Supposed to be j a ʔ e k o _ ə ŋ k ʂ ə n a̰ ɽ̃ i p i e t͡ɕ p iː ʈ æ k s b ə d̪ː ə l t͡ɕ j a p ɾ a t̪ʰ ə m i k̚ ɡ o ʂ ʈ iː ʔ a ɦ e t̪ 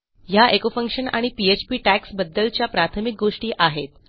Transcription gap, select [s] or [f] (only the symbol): f